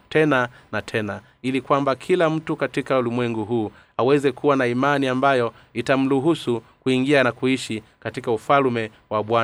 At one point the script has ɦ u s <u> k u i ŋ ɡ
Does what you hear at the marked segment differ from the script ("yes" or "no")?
no